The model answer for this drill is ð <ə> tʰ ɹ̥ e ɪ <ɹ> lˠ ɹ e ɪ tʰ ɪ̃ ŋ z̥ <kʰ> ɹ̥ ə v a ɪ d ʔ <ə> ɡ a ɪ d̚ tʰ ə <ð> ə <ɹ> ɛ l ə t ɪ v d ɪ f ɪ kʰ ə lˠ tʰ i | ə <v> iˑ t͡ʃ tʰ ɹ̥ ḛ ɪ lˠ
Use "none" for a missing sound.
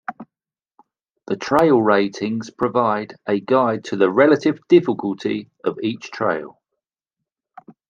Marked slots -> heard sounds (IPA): ə, none, pʰ, ə, ð, ɹ, v

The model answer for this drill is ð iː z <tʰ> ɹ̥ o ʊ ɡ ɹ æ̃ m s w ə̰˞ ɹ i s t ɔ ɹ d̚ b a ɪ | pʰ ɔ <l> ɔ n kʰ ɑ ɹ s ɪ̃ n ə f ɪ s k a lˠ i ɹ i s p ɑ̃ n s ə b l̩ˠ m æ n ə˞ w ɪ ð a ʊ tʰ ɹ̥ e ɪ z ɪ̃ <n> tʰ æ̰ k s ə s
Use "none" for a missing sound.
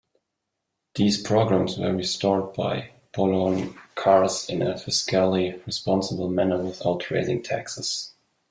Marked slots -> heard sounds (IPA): pʰ, l, ŋ

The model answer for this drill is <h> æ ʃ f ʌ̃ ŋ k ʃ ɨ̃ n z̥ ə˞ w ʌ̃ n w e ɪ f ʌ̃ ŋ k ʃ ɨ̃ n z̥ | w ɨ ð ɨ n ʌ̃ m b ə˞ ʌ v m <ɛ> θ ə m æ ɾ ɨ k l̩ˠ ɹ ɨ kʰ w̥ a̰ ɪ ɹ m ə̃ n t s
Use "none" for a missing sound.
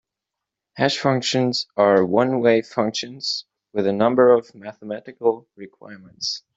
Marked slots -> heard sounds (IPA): h, æ

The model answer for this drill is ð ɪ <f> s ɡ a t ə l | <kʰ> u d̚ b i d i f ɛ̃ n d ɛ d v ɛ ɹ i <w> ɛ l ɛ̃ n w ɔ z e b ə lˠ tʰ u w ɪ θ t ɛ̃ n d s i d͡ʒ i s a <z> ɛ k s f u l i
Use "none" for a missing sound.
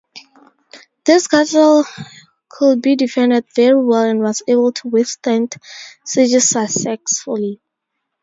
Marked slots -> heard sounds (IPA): none, kʰ, w, s

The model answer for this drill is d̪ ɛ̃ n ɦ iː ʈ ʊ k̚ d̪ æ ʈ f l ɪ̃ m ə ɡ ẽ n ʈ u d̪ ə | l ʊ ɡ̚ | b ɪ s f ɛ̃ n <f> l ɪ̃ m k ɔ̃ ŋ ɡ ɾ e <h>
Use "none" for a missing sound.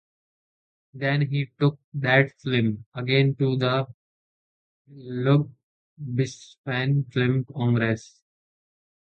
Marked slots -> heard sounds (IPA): f, s

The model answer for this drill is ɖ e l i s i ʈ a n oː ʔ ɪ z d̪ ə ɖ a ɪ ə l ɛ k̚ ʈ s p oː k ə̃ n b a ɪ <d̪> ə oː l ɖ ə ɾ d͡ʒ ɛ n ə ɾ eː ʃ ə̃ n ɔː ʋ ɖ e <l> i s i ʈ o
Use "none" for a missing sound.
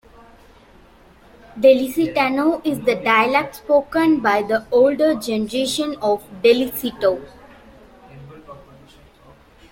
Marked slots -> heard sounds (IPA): d̪, l

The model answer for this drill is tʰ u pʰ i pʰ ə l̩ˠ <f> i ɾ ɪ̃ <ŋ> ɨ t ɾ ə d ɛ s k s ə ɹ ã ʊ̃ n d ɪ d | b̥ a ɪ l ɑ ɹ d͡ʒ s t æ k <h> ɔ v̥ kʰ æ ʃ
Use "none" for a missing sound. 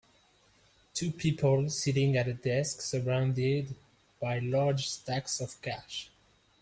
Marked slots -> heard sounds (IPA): s, ŋ, s

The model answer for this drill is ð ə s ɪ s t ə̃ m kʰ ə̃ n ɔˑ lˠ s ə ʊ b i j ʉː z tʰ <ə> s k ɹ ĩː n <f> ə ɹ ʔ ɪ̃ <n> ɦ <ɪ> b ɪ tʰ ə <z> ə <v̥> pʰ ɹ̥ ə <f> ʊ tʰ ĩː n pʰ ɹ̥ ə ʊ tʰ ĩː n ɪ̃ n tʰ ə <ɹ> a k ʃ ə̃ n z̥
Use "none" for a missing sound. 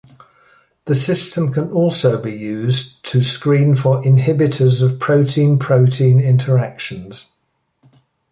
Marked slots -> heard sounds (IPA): ə, f, n, ɪ, z, v̥, none, ɹ

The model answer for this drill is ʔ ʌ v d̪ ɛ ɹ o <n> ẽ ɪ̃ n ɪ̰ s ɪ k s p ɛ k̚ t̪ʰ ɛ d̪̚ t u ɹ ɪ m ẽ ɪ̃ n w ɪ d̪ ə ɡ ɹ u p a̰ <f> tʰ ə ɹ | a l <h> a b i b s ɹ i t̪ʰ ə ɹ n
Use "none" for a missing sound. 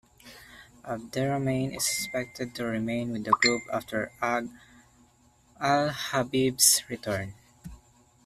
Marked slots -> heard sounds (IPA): m, f, h

